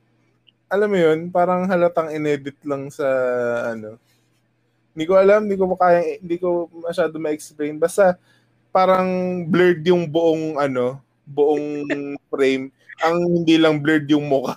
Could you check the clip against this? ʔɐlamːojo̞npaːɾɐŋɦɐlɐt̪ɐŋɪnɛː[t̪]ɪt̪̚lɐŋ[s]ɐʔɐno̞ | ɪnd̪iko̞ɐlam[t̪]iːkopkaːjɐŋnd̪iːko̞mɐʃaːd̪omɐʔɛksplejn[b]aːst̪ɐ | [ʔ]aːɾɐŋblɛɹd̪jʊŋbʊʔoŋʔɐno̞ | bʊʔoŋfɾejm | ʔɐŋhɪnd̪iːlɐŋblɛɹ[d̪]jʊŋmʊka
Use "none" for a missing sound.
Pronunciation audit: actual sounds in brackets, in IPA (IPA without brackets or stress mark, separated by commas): d̪, s, d̪, b, p, d̪